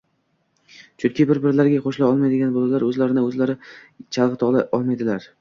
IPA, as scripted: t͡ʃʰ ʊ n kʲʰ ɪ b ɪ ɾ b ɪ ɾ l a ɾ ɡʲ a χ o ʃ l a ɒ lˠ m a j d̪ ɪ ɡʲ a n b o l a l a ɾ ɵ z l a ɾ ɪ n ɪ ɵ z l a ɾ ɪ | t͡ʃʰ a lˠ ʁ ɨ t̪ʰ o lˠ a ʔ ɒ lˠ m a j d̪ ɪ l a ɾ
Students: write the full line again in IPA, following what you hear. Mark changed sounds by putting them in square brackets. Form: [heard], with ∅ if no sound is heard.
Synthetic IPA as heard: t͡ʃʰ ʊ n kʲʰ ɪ b ɪ ɾ b ɪ ɾ l a ɾ ɡʲ a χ o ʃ l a ɒ lˠ m a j d̪ ɪ ɡʲ a n b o l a l a ɾ ɵ z l a ɾ ɪ n ɪ ɵ z l a ɾ ɪ | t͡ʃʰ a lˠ ʁ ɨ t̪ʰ [ɒ] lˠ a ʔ ɒ lˠ m a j d̪ ɪ l a ɾ